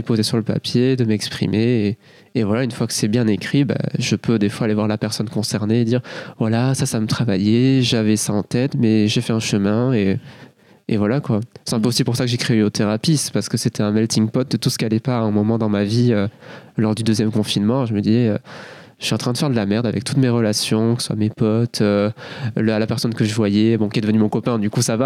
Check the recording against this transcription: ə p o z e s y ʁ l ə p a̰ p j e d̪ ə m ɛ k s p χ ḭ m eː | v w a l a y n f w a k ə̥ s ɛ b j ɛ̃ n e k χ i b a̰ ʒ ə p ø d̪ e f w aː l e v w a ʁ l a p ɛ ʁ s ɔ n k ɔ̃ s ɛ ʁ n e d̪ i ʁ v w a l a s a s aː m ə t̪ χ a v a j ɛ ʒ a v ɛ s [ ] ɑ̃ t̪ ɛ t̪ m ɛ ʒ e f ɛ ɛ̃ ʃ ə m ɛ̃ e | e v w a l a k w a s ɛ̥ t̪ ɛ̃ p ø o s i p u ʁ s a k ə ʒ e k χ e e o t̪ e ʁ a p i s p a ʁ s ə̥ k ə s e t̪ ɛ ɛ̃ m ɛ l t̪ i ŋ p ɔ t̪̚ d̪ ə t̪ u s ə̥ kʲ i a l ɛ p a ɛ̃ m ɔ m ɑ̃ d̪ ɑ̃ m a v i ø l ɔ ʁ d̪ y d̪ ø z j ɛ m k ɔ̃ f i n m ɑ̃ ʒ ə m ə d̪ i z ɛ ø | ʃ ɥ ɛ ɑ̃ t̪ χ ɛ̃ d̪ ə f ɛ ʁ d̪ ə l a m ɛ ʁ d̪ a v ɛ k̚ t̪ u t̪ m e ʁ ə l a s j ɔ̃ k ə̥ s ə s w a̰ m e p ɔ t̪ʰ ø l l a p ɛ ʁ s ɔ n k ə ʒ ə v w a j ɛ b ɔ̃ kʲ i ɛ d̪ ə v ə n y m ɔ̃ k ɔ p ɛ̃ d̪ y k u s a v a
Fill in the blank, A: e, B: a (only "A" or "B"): B